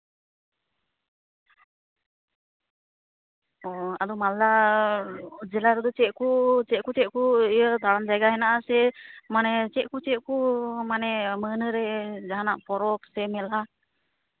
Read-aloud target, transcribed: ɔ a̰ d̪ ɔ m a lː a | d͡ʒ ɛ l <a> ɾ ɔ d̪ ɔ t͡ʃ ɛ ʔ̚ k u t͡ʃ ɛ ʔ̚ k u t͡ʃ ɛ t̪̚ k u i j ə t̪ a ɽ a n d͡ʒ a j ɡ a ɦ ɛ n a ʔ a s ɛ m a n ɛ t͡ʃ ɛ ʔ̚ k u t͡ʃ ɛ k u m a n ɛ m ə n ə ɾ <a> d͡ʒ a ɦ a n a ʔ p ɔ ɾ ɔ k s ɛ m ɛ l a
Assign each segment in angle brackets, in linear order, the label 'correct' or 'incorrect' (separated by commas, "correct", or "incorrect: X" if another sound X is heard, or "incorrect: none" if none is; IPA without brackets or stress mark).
correct, incorrect: ɛ